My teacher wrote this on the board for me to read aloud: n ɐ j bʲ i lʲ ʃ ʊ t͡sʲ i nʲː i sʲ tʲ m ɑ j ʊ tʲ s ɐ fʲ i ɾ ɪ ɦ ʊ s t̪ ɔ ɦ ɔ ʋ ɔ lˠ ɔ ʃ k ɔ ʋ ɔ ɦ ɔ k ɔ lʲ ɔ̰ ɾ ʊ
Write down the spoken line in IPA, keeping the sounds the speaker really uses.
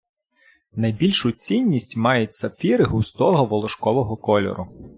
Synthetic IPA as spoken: n ɐ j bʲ i lʲ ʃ ʊ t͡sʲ i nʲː i sʲ tʲ m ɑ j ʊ tʲ s ɐ fʲ i ɾ ɪ ɦ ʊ s t̪ ɔ ɦ ɔ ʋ ɔ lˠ ɔ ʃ k ɔ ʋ ɔ ɦ ɔ k ɔ lʲ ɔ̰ ɾ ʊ